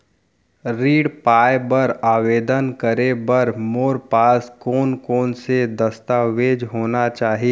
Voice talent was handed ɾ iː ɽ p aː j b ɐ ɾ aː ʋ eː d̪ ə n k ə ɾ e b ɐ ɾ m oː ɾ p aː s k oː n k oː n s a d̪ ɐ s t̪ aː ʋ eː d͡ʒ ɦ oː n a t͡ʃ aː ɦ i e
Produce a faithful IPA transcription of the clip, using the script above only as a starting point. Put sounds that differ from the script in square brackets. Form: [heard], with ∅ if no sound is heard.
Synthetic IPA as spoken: ɾ iː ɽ p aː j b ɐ ɾ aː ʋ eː d̪ ə n k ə ɾ e b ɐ ɾ m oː ɾ p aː s k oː n k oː n s [e] d̪ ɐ s t̪ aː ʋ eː d͡ʒ ɦ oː n a t͡ʃ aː ɦ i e